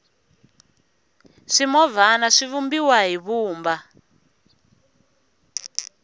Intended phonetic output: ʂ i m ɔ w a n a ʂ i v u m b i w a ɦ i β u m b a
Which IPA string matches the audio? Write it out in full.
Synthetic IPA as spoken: ʂ i m ɔ v a n a ʂ i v u m b i w a ɦ i β uː m b a

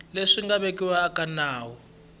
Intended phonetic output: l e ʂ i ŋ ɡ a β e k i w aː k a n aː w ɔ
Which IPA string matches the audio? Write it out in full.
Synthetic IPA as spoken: l e ʂ i ŋ ɡ a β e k i w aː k a n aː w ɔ

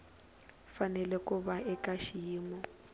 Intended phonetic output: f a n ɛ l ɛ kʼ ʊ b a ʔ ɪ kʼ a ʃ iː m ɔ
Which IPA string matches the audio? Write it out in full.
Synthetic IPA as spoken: f a n ɛ l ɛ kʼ ʊ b a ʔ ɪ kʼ a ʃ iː m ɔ

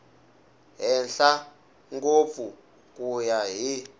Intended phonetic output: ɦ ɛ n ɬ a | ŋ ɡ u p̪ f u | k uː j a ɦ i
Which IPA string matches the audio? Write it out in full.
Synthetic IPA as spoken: ɦ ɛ n ɬ a | ŋ ɡ o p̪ f u | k u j a ɦ i

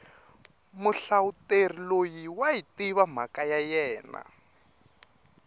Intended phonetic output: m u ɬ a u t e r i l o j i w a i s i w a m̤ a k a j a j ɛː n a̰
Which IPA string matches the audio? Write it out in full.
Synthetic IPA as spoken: m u ɬ a u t e r i l o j i w a i t i β a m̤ a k a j a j ɛː n a̰

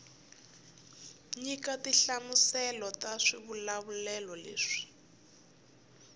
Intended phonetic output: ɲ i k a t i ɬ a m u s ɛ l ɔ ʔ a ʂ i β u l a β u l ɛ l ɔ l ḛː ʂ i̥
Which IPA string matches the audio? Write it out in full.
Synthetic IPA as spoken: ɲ i k a t i ɬ a m u s ɛ l ɔ t a ʂ i β u l a β u l ɛ l ɔ l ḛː ʂ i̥

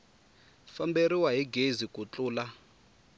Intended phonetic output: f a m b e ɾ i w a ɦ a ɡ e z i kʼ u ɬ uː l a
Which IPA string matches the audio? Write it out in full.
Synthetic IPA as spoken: f a m b e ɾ i w a ɦ i ɡ e z i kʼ u t͡ɬ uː l a

